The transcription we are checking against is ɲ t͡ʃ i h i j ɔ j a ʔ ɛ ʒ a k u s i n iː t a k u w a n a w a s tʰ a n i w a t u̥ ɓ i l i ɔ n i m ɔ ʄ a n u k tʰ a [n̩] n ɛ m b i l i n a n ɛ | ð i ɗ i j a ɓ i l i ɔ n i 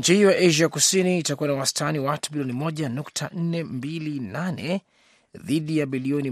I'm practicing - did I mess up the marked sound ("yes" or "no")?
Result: no